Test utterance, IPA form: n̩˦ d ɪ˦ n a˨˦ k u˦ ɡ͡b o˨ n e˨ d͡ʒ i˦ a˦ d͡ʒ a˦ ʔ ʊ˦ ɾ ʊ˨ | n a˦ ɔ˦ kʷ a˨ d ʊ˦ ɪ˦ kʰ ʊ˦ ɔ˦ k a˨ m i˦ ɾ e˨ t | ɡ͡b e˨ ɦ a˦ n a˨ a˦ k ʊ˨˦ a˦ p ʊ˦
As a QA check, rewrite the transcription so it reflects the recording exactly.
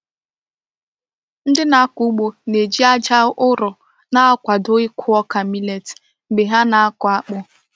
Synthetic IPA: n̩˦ d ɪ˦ n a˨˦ k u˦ ɡ͡b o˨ n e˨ d͡ʒ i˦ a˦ d͡ʒ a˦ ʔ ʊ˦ ɾ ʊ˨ | n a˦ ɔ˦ kʷ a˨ d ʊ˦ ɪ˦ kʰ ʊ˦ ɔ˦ k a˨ m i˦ l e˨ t | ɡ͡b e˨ ɦ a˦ n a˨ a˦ k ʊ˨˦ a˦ k͡p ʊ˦